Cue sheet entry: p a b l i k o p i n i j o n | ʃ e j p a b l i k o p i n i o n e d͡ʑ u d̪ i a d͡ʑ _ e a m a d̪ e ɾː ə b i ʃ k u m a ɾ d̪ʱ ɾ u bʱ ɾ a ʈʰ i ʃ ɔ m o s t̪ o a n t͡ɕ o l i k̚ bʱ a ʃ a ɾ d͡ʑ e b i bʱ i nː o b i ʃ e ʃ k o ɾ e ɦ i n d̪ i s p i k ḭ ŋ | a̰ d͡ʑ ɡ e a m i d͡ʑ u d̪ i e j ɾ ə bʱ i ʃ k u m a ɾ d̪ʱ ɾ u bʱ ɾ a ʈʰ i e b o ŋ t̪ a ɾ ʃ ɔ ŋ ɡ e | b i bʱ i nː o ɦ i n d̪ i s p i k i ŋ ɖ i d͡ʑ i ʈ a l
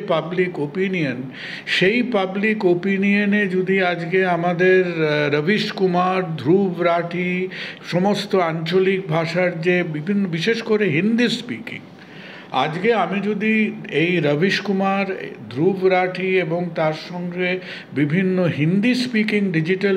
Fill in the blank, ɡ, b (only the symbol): ɡ